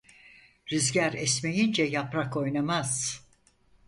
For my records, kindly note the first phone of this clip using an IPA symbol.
ɾ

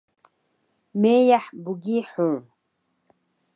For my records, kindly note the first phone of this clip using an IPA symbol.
m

